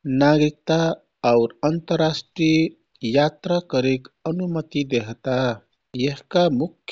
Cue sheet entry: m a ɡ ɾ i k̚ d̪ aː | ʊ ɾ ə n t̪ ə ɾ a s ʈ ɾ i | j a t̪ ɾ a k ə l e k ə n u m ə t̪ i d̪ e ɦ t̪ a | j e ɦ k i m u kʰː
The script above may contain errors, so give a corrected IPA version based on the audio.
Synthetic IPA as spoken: n a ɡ ɾ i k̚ t̪ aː | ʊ ɾ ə n t̪ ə ɾ a s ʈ ɾ i | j a t̪ ɾ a k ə ɾ e k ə n u m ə t̪ i d̪ e ɦ t̪ a | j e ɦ k a m u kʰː

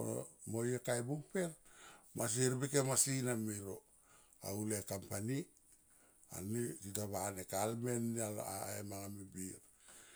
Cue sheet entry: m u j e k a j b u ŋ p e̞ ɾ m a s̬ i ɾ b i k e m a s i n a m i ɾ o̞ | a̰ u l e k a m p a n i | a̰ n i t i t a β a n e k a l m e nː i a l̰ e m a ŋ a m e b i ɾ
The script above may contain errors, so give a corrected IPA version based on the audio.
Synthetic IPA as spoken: m o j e k a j b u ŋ p e̞ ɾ m a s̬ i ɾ b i k e m a s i n a m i ɾ o̞ | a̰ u l e k a m p a n i | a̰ n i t i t a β a n e k a l m e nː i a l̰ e m a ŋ a m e b i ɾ

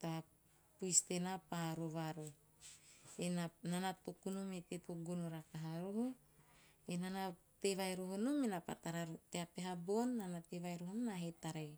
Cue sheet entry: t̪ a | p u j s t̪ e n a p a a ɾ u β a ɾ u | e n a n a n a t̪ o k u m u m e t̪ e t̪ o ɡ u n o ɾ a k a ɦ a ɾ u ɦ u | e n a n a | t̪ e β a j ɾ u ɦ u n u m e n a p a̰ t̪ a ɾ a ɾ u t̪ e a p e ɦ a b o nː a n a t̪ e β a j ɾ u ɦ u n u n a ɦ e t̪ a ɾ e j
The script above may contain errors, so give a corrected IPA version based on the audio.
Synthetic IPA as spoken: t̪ a | p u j s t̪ e n a p a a ɾ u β a ɾ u | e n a n a n a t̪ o k u n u m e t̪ e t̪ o ɡ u n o ɾ a k a ɦ a ɾ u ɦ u | e n a n a | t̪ e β a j ɾ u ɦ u n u m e n a p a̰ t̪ a ɾ a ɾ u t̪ e a p e ɦ a b o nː a n a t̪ e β a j ɾ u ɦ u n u n a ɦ e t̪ a ɾ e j

